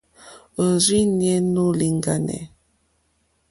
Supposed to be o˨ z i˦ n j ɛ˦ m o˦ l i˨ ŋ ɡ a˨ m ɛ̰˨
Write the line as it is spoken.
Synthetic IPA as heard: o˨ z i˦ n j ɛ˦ n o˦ l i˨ ŋ ɡ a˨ n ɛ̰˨